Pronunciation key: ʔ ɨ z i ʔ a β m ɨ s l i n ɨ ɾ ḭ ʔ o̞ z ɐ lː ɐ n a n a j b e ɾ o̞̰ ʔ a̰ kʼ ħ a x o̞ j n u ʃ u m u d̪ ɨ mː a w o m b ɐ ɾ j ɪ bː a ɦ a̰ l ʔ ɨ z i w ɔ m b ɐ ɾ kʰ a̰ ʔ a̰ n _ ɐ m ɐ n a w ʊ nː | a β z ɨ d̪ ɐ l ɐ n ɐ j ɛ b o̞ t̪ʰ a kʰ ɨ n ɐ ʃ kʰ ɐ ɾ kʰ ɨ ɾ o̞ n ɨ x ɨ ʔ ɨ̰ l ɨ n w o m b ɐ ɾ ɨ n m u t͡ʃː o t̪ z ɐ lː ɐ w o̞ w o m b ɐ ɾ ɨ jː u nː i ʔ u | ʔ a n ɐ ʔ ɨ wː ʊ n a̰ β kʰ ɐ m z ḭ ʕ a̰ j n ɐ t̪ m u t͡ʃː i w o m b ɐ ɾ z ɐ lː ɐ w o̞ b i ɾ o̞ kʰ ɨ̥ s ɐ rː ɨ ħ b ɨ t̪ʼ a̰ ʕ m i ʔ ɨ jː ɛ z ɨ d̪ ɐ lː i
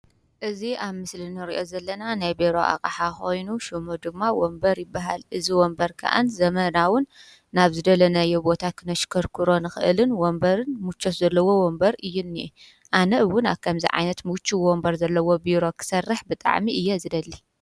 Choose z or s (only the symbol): z